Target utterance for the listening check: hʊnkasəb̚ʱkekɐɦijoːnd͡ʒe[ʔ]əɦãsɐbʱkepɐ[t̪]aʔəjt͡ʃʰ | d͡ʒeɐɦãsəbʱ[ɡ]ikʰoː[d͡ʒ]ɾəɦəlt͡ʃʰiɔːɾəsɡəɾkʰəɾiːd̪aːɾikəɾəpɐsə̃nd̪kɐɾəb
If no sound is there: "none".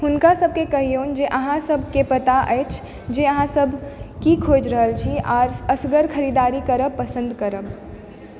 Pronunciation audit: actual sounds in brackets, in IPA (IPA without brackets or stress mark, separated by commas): ʔ, t̪, k, d͡ʒ